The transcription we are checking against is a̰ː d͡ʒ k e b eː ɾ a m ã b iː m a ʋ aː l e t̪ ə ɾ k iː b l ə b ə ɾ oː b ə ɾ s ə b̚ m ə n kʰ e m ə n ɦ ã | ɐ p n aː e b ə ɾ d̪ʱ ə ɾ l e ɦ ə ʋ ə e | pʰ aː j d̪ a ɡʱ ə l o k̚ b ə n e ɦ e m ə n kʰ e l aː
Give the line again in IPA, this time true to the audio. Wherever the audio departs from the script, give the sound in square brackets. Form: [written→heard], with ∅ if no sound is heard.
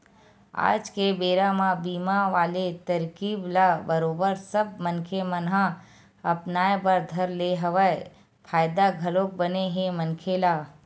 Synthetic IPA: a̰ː d͡ʒ k e b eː ɾ a m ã b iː m a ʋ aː l e t̪ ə ɾ k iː b l [ə→a] b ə ɾ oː b ə ɾ s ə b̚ m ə n kʰ e m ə n ɦ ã | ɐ p n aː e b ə ɾ d̪ʱ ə ɾ l e ɦ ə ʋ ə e | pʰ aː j d̪ a ɡʱ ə l o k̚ b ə n e ɦ e m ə n kʰ e l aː